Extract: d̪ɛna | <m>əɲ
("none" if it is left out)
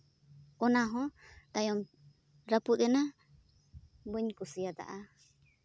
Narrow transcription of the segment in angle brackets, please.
b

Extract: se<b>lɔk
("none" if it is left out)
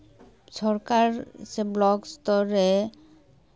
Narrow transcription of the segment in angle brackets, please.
b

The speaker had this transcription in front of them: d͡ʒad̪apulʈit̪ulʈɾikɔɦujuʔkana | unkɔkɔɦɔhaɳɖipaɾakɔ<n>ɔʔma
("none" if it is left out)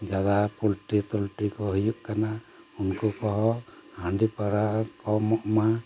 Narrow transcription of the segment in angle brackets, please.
m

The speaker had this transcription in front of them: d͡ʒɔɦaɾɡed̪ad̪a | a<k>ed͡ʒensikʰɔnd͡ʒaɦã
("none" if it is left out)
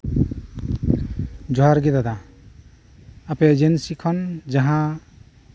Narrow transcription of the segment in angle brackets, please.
p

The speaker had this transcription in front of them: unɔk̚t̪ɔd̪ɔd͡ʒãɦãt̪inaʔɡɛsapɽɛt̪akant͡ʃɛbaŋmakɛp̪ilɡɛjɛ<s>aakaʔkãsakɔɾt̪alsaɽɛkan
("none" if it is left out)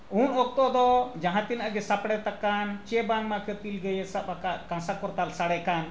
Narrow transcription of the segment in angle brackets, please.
s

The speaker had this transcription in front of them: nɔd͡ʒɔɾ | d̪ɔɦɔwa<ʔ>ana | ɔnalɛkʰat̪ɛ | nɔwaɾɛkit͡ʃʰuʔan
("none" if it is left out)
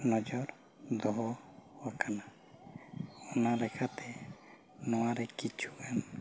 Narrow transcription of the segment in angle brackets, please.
k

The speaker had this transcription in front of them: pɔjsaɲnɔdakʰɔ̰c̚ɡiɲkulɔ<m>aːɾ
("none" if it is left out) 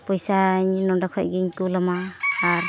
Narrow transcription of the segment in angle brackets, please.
m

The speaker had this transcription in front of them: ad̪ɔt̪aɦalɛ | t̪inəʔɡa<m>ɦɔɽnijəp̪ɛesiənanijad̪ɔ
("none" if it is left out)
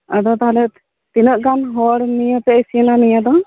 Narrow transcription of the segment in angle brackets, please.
n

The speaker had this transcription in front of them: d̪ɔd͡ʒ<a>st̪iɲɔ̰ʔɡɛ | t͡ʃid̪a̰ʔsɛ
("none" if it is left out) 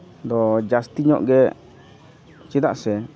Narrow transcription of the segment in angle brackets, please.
a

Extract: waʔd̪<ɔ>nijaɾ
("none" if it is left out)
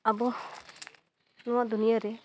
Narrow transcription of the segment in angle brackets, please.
u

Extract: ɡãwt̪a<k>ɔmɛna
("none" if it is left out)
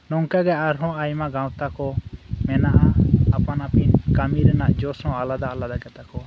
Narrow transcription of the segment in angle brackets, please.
k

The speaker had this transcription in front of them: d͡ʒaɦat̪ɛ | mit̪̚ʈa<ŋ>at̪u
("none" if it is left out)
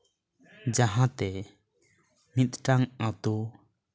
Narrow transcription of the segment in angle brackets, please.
ŋ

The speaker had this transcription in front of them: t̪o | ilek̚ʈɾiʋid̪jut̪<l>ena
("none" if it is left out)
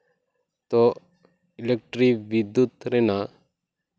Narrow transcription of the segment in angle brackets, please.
ɾ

